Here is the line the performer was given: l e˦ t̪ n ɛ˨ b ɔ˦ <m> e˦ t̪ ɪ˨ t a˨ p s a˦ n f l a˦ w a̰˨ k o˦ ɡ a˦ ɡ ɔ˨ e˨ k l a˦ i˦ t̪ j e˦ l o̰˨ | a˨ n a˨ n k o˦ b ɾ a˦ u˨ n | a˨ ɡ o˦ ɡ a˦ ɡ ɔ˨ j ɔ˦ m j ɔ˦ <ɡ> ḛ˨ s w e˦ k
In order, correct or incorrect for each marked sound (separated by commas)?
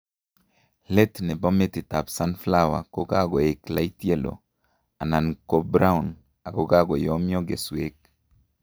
correct, correct